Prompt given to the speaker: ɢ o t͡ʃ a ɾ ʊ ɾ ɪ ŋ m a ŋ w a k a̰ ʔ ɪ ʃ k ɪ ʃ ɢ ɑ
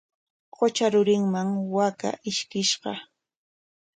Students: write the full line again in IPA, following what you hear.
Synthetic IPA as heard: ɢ o t͡ʃ a ɾ ʊ ɾ ɪ ŋ m a ŋ w a k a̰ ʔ ɪ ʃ k ɪ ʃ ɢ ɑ